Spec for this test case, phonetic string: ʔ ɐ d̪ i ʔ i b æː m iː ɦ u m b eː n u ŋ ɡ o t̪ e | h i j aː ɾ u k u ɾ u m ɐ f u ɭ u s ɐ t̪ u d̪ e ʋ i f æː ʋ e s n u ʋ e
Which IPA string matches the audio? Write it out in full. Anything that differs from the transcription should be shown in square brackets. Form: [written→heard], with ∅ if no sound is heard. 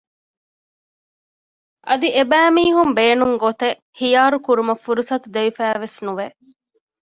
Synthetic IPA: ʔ ɐ d̪ i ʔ [i→e] b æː m iː ɦ u m b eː n u ŋ ɡ o t̪ e | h i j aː ɾ u k u ɾ u m ɐ f u [ɭ→ɾ] u s ɐ t̪ u d̪ e ʋ i f æː ʋ e s n u ʋ e